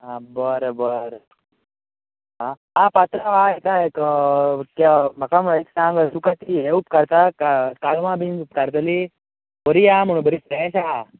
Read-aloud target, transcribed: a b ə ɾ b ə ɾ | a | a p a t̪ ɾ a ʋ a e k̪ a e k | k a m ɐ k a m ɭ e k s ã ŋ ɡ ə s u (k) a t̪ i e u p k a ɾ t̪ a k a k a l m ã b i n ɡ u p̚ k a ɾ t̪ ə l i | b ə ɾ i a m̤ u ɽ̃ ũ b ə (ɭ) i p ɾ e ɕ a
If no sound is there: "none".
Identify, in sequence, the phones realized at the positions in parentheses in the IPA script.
k, ɾ

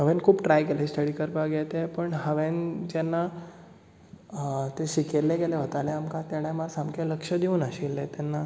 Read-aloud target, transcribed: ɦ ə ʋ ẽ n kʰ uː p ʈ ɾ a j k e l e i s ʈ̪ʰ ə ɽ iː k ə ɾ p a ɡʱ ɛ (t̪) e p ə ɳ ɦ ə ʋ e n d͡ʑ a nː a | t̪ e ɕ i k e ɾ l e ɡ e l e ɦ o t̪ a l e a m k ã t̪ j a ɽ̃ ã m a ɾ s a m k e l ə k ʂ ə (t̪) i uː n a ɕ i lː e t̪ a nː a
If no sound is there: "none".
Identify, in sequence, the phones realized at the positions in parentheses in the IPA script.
t̪, d̪

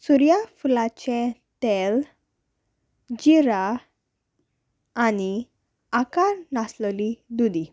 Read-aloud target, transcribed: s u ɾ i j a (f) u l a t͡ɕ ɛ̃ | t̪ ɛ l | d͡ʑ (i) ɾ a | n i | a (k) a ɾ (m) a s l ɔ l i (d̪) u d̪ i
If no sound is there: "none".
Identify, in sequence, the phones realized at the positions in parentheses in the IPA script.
f, i, k, n, d̪

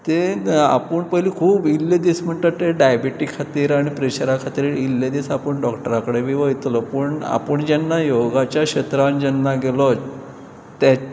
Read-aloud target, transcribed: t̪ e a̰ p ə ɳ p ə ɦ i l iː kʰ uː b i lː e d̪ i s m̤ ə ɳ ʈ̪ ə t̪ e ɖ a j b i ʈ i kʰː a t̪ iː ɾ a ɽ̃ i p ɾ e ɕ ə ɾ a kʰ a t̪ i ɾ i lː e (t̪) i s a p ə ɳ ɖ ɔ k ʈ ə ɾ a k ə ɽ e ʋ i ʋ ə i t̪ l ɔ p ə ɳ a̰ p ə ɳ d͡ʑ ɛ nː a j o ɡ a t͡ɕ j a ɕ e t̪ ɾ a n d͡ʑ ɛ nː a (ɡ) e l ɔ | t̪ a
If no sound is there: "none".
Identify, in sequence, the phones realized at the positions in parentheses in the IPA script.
d̪, ɡ

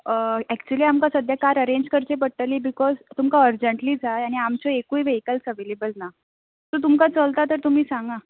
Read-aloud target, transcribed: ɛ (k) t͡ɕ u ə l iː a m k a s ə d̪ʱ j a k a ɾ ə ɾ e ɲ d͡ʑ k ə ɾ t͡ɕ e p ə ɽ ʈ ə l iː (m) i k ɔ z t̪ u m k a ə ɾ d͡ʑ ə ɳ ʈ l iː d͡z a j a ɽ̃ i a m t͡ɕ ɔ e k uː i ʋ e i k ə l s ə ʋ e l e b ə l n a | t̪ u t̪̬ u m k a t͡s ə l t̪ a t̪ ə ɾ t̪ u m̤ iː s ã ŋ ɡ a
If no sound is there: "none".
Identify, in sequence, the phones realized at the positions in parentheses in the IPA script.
k, b

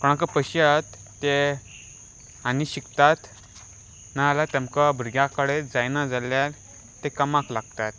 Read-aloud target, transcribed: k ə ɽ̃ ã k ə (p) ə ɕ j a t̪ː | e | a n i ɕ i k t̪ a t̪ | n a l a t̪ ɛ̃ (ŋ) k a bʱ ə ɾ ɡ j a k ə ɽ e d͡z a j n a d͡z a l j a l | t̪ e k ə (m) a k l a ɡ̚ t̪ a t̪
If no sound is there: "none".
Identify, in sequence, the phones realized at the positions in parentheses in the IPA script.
p, m, m

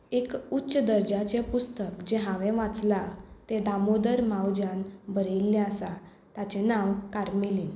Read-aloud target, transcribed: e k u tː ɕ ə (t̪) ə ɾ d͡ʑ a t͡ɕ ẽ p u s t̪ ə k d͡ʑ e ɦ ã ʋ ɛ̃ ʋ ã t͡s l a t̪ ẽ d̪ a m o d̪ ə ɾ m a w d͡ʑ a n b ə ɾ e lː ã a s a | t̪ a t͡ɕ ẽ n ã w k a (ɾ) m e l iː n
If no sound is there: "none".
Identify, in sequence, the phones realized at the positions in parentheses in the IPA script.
d̪, ɾ

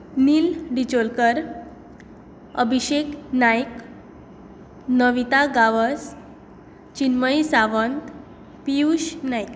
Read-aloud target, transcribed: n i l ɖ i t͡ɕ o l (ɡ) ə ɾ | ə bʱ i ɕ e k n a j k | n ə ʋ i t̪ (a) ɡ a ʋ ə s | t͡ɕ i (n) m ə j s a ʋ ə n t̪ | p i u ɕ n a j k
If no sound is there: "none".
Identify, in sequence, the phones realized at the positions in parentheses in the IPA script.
k, a, n

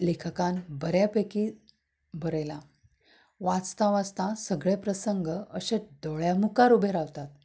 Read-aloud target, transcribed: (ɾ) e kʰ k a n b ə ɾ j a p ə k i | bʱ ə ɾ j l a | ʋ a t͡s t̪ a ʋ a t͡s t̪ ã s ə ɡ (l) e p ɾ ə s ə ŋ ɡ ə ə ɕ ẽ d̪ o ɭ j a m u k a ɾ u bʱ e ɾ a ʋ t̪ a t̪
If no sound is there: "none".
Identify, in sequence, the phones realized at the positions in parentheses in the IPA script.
l, ɭ

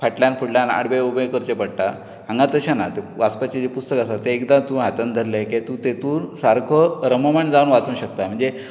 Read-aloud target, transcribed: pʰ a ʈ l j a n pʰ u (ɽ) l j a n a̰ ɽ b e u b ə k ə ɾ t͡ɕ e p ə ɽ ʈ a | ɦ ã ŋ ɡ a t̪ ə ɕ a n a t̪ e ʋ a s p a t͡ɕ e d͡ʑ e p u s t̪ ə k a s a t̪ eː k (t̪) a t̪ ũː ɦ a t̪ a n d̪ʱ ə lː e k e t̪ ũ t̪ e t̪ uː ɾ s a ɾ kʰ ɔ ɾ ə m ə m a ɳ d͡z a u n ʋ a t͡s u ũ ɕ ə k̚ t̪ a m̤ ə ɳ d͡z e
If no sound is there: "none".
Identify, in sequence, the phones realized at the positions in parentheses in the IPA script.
ɽ, d̪

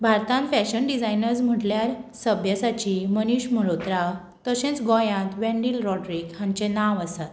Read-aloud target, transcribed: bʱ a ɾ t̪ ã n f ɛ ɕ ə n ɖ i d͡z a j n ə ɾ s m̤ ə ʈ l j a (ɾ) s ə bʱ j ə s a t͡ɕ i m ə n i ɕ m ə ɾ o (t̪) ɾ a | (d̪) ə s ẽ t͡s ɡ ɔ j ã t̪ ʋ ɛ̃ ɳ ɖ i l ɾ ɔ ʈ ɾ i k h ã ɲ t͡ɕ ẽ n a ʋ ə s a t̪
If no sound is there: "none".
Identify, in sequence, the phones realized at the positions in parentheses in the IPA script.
ɾ, t̪, t̪

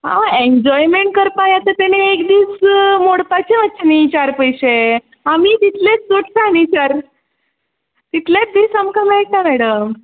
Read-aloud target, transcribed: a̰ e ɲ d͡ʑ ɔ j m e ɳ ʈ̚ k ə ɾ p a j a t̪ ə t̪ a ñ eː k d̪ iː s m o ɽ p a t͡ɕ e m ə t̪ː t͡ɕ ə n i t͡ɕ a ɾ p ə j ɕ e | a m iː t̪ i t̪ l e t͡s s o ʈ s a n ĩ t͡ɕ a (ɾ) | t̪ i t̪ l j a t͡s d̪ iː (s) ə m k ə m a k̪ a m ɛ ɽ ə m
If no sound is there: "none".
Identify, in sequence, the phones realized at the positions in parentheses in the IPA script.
ɾ, s

